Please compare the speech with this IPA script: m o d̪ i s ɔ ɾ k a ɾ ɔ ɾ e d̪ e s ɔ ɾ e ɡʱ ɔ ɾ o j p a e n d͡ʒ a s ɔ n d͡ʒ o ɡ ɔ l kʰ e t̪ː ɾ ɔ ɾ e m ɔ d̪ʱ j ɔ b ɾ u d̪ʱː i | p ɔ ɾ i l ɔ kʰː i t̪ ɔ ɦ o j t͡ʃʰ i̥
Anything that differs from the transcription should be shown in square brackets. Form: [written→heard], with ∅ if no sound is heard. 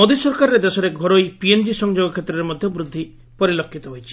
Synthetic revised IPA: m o d̪ i s ɔ ɾ k a ɾ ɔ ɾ e d̪ e s ɔ ɾ e ɡʱ ɔ ɾ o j p [a→i] e n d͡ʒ [a→i] s ɔ [n→ŋ] d͡ʒ o ɡ ɔ [l→∅] kʰ e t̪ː ɾ ɔ ɾ e m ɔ d̪ʱ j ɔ b ɾ u d̪ʱː i | p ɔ ɾ i l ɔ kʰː i t̪ ɔ ɦ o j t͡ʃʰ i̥